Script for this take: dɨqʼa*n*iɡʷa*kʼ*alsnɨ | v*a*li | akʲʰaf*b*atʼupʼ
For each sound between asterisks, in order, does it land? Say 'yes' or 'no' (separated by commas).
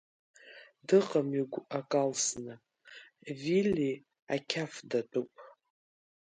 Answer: no, yes, no, no